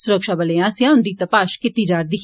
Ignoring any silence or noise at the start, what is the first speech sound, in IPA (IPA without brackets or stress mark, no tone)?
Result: s